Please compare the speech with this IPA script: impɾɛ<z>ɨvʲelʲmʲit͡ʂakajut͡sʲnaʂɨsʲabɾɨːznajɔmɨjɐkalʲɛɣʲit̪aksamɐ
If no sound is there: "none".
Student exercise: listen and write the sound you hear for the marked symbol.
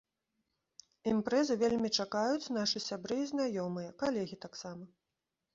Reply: z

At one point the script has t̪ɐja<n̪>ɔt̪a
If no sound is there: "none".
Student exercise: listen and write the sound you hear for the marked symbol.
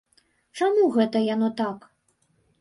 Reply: n̪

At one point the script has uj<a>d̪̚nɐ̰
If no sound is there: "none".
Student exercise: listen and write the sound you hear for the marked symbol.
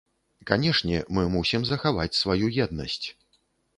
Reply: ɛ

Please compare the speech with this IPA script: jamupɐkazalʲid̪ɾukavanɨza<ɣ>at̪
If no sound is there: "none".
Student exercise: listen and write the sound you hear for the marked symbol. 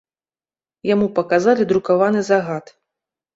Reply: ɣ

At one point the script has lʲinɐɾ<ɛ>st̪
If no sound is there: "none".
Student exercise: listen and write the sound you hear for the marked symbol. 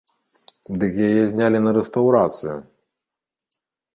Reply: ɛ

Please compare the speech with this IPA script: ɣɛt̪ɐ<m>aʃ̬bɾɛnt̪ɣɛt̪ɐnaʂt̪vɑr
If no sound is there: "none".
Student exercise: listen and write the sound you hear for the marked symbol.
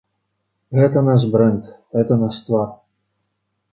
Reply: n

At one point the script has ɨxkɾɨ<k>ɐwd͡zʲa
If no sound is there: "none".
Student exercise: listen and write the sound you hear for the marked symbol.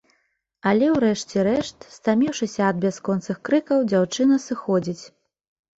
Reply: k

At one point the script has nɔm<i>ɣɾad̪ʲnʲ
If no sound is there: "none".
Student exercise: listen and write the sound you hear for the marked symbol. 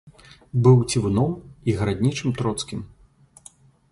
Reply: i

